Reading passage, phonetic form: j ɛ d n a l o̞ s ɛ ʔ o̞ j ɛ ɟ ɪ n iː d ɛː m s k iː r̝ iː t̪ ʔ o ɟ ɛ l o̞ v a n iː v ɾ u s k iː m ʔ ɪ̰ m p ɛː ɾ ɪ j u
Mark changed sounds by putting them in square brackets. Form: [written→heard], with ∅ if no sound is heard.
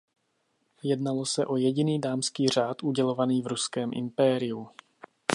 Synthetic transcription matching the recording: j ɛ d n a l o̞ s ɛ ʔ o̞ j ɛ ɟ ɪ n iː d [ɛː→aː] m s k iː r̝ [iː→aː] t̪ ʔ [o→u] ɟ ɛ l o̞ v a n iː v ɾ u s k [iː→ɛː] m ʔ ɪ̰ m p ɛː ɾ ɪ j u